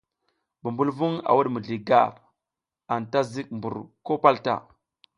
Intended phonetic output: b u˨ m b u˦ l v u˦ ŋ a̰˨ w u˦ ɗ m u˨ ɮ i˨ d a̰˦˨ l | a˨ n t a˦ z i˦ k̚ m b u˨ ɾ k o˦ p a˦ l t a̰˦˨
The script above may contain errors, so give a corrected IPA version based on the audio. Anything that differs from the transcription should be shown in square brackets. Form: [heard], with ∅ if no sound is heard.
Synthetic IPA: b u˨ m b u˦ l v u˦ ŋ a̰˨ w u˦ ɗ m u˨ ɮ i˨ [ɡ] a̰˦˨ [ɾ] | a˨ n t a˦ z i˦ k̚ m b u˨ ɾ k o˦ p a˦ l t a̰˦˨